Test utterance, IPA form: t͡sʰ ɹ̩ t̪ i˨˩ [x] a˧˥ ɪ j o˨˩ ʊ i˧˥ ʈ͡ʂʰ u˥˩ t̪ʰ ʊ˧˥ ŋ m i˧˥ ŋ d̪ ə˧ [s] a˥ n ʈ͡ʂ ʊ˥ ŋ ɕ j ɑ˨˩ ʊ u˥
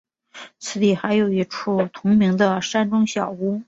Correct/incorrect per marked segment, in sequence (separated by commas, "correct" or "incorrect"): correct, incorrect